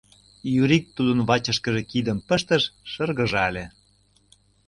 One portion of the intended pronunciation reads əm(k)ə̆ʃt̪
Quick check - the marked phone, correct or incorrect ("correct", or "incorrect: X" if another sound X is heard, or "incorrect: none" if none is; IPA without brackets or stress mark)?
incorrect: p